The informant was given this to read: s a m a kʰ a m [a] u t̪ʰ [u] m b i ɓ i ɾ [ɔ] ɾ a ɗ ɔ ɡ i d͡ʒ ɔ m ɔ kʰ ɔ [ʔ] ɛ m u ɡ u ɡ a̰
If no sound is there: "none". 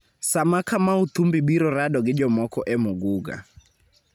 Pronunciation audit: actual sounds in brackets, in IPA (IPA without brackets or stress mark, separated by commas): a, u, ɔ, ʔ